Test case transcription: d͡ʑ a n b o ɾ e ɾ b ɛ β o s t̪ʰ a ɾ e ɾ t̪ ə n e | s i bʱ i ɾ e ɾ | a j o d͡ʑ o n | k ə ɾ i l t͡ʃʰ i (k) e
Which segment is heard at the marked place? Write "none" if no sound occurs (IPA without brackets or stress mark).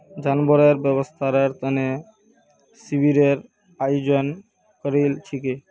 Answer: k